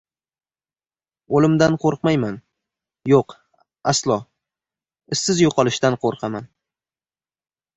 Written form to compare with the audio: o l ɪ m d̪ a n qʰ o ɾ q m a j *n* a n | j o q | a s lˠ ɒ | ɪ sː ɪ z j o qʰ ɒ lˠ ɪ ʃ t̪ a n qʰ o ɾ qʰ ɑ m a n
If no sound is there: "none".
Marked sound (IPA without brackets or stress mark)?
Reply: m